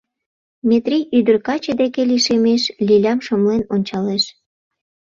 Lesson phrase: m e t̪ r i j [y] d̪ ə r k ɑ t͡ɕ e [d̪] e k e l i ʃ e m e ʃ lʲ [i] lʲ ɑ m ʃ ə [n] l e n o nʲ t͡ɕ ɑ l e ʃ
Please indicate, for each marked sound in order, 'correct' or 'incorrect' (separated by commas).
correct, correct, correct, incorrect